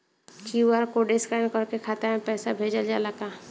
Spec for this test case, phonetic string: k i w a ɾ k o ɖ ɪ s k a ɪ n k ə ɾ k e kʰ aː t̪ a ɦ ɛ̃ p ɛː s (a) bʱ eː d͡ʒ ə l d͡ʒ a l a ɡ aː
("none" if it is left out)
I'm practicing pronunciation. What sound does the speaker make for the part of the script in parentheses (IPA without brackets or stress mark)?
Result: a